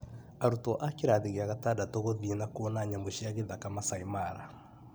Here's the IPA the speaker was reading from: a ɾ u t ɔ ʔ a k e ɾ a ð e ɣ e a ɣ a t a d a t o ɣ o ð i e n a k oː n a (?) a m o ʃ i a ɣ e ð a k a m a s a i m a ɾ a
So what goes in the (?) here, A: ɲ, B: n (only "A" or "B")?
A